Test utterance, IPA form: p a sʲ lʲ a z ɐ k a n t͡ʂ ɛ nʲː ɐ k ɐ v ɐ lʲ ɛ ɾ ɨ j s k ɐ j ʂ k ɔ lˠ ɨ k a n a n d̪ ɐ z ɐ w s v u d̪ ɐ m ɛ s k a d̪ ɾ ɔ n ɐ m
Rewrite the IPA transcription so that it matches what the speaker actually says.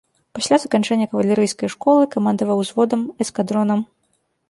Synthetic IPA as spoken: p a sʲ lʲ a z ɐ k a n t͡ʂ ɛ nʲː ɐ k ɐ v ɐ lʲ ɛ ɾ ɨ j s k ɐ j ʂ k ɔ lˠ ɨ k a m a n d̪ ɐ v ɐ w z v ɔ d̪ ɐ m ɛ s k a d̪ ɾ ɔ n ɐ m